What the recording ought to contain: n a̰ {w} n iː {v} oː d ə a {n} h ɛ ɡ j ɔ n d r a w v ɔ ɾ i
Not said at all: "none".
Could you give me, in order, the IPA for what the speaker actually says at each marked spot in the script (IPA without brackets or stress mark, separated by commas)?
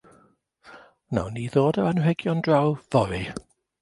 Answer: w, ð, n